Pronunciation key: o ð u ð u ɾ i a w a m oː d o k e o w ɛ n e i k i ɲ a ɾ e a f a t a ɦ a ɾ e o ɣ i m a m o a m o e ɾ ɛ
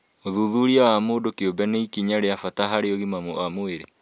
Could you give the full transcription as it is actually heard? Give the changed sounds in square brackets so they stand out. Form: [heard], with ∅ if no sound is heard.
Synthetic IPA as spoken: o ð u ð u ɾ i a w a m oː d o k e o [b] ɛ n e i k i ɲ a ɾ e a f a t a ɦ a ɾ e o ɣ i m a m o a m o e ɾ [e]